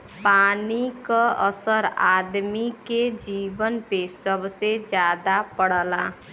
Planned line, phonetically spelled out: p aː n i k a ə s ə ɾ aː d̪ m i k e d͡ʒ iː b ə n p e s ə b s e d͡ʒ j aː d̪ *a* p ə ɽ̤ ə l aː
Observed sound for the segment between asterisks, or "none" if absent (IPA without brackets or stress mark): a